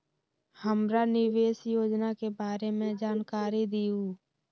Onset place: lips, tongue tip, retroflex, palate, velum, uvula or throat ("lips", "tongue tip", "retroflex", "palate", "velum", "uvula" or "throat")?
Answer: throat